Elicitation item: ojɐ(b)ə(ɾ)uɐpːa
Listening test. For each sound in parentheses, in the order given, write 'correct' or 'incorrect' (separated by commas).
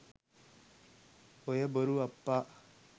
correct, correct